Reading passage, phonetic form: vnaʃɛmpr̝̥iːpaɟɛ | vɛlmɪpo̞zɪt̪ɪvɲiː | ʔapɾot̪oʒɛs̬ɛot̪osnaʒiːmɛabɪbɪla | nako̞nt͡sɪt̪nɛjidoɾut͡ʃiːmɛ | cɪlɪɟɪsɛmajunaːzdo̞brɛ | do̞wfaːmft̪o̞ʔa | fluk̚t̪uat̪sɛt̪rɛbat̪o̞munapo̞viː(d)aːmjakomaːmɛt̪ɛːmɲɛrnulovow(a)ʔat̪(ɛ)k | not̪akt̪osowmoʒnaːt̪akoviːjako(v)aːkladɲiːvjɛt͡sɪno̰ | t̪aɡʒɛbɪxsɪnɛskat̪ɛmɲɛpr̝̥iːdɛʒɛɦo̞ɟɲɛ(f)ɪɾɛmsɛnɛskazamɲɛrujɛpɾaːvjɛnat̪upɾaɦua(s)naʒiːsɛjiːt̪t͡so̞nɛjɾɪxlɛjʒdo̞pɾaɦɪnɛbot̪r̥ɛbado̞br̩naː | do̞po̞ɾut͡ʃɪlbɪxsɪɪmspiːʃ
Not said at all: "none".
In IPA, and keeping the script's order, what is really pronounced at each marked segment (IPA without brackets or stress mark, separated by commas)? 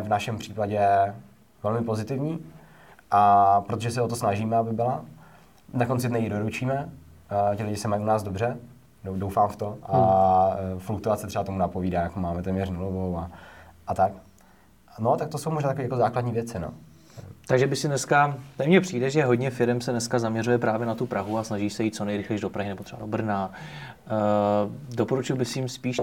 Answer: d, a, a, z, f, s